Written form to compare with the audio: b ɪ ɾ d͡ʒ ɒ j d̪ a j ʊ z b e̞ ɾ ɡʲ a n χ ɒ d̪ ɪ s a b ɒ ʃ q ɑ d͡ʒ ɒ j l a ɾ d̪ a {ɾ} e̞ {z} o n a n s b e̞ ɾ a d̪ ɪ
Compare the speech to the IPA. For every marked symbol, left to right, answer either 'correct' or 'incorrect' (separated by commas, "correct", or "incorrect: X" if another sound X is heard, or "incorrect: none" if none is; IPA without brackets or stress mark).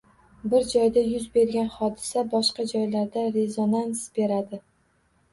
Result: correct, correct